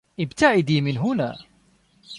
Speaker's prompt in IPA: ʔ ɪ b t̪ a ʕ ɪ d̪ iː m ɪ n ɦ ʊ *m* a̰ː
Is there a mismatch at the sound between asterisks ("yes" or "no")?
yes